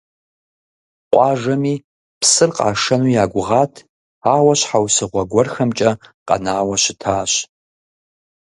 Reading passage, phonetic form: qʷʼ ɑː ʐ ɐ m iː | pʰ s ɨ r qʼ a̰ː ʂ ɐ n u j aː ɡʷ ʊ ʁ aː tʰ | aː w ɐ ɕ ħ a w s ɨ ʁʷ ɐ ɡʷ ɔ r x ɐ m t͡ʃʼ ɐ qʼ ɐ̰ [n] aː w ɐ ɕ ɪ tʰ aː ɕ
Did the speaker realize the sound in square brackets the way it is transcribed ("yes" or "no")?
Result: yes